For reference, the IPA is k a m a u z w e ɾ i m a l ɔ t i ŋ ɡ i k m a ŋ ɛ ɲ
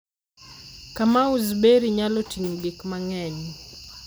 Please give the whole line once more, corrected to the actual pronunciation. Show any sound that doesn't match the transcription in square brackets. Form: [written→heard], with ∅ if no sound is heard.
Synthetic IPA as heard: k a m a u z [w→b] e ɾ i [m→ɲ] a l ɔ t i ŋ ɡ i k m a ŋ ɛ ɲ